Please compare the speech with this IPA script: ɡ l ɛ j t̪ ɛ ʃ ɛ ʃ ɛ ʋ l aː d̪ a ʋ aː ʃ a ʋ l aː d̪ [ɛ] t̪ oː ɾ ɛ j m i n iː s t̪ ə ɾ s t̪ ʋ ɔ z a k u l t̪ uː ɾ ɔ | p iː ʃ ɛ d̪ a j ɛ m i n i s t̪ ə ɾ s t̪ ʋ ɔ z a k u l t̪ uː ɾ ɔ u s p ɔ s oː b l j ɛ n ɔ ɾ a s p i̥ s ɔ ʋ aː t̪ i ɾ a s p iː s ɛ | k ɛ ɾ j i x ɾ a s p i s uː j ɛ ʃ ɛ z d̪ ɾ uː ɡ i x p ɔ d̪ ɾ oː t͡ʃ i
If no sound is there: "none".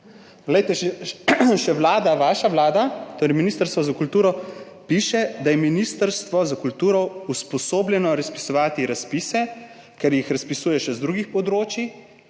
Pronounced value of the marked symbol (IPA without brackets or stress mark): a